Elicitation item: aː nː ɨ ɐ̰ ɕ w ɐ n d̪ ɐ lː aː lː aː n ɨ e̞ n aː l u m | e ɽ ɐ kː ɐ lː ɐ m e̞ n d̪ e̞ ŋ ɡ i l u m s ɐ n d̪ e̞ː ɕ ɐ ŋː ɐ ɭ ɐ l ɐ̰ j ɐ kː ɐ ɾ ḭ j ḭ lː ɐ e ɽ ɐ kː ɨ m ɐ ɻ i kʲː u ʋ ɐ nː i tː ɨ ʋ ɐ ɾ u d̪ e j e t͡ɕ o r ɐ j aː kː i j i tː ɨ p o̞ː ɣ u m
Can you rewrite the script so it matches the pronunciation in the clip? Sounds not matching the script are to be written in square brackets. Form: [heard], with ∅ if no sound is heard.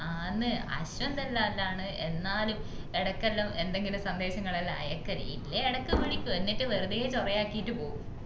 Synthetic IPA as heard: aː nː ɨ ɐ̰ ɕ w ɐ n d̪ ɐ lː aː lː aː [ɳ] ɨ e̞ [nː] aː l u m | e ɽ ɐ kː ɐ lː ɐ m e̞ n d̪ e̞ ŋ ɡ i l u m s ɐ n d̪ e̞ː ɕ ɐ ŋː ɐ ɭ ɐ l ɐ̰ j ɐ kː ɐ ɾ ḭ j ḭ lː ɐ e ɽ ɐ kː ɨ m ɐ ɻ i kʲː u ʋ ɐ nː i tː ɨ ʋ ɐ ɾ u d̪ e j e t͡ɕ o r ɐ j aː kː i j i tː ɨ p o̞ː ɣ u m